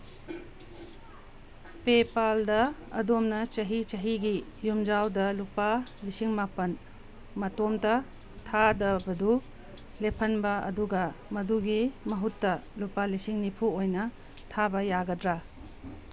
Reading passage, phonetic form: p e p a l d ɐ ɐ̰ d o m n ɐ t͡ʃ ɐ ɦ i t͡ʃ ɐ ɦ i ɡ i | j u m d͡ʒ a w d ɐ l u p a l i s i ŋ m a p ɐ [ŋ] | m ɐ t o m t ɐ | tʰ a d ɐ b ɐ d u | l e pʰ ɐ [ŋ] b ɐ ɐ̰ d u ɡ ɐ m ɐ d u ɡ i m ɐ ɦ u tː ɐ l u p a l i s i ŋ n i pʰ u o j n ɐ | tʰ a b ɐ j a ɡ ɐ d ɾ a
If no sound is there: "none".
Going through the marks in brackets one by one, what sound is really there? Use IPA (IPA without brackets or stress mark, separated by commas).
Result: n, n